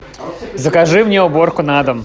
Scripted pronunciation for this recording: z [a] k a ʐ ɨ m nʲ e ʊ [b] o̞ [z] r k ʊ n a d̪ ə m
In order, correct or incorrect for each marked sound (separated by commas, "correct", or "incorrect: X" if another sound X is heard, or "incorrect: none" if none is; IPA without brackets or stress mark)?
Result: incorrect: ə, correct, incorrect: none